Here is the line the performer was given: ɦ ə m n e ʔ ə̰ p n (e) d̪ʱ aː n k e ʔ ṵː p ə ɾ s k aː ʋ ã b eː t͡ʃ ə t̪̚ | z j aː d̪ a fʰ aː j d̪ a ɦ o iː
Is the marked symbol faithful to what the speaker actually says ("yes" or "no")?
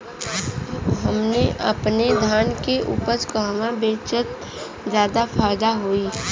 yes